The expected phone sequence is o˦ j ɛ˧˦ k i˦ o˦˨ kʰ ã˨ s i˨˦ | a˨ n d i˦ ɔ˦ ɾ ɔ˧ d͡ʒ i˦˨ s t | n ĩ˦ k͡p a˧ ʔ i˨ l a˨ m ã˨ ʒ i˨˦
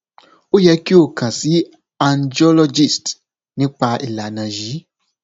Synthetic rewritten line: o˦ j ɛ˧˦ k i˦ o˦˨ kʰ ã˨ s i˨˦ | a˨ n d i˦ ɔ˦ l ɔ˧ d͡ʒ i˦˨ s t | n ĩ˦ k͡p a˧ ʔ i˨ l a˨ n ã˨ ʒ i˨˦